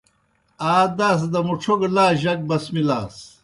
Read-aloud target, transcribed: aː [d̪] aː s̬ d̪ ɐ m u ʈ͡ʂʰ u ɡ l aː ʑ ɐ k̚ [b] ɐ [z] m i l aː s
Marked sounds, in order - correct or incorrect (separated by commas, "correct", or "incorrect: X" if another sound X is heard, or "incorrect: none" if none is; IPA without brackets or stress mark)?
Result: correct, correct, incorrect: s